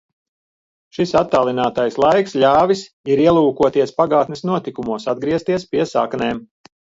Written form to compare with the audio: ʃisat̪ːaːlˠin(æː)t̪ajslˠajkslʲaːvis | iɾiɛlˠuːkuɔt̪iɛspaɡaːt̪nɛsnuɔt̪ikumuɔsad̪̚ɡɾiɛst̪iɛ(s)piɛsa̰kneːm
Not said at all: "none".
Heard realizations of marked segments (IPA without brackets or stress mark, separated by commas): aː, s